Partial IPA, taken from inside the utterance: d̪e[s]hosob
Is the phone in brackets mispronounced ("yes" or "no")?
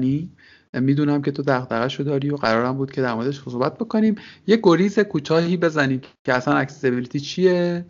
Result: yes